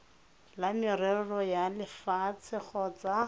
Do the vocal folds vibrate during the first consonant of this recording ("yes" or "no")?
yes